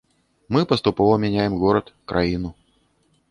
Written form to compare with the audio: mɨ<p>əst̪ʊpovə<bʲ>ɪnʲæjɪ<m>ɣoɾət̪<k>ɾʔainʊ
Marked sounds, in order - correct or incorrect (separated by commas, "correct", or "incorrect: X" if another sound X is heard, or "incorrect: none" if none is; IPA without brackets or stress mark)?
correct, incorrect: mʲ, correct, correct